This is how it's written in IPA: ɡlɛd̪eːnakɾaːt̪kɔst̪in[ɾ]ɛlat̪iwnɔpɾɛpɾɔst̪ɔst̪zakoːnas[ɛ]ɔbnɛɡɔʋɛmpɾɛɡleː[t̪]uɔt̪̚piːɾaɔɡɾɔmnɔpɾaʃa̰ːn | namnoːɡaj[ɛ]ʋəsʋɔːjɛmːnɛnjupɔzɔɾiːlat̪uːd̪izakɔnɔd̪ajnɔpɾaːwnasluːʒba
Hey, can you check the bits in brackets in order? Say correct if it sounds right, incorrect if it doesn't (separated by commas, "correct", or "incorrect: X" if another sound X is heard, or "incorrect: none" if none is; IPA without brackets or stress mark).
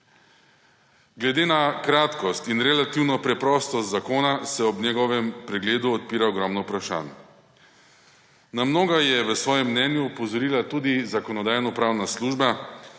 correct, correct, incorrect: d̪, correct